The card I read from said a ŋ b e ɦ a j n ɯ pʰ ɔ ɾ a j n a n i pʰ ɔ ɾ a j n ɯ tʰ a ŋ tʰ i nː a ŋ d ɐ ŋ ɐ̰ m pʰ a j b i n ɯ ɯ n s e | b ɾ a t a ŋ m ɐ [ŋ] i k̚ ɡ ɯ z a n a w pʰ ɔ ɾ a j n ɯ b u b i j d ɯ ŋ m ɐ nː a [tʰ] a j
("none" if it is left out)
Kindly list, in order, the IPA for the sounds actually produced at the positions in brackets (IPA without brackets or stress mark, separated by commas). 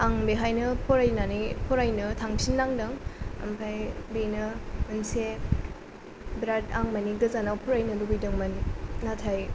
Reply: n, tʰ